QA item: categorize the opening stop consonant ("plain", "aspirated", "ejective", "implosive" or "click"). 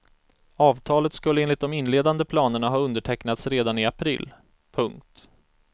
aspirated